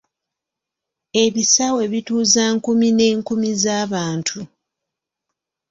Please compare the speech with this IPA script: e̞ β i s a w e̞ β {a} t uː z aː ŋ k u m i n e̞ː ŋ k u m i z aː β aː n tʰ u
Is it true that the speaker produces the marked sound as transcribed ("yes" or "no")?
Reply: no